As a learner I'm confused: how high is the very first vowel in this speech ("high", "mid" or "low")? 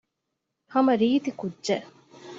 low